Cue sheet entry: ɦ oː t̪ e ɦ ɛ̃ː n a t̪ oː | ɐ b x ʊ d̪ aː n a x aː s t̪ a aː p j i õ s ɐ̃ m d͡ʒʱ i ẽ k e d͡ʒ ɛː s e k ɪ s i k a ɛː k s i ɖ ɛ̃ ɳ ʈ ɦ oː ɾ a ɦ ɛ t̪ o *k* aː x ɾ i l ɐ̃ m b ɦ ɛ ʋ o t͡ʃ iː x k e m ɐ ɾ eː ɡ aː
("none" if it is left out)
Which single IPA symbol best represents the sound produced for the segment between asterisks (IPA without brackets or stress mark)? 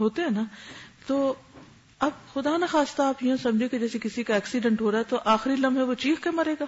ʔ